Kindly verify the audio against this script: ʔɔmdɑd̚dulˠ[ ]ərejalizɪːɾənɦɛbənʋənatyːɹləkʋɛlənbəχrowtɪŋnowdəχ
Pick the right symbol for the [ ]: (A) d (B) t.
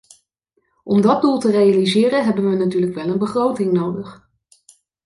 B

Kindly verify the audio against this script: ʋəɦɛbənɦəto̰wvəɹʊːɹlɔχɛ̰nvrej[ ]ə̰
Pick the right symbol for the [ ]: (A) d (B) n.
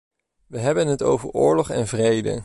A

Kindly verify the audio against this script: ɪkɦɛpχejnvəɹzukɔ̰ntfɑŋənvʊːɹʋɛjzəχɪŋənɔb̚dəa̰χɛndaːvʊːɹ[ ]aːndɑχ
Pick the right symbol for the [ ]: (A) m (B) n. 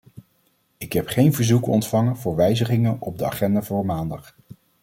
A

